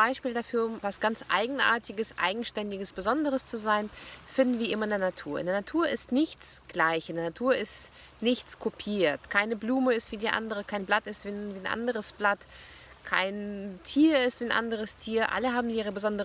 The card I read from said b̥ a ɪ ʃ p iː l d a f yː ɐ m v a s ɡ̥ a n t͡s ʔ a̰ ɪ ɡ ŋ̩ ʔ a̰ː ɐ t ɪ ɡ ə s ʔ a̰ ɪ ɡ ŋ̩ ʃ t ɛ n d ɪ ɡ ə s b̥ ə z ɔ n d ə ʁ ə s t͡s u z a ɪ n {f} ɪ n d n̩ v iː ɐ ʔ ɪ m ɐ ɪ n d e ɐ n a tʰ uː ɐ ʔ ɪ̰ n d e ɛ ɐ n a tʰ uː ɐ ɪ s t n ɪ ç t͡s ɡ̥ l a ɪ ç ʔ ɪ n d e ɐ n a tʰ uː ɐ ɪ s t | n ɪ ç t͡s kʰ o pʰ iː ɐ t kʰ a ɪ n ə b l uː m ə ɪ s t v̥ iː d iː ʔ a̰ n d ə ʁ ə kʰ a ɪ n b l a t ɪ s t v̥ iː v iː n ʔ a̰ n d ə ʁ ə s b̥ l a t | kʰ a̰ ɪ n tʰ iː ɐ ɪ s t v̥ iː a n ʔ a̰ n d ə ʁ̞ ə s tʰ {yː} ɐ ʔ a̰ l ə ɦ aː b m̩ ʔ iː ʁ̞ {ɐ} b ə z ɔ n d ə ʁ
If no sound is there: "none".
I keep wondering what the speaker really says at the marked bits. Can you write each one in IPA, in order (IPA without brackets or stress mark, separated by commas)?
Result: f, iː, ə